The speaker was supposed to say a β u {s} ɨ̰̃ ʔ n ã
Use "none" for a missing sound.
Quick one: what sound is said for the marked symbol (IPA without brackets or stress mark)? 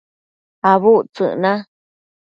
t͡s